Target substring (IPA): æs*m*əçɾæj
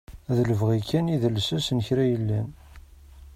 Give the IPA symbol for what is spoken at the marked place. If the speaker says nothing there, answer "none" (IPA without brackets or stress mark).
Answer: n